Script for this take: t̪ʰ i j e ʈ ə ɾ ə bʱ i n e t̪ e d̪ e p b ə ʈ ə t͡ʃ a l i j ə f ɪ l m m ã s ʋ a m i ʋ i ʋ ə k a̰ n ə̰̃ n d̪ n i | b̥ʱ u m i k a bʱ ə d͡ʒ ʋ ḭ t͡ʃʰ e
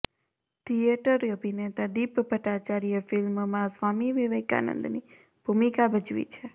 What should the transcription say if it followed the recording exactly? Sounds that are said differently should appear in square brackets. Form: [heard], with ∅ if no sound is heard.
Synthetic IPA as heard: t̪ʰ i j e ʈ ə ɾ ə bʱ i n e t̪ [a] d̪ [i] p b ə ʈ [a] t͡ʃ a [ɾ] i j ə f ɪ l m m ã s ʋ a m i ʋ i ʋ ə k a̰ n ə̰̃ n d̪ n i | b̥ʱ u m i k a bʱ ə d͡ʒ ʋ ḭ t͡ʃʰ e